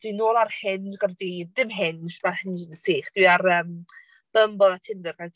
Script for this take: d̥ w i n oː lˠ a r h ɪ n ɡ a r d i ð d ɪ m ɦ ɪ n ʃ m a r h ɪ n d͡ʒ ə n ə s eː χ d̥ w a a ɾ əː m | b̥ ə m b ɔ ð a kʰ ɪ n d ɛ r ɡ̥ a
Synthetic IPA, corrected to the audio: d̥ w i n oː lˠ a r h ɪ n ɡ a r d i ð d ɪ m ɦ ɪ n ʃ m a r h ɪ n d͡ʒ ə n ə s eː χ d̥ w i a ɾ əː m | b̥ ə m b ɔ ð a tʰ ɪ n d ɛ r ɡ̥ a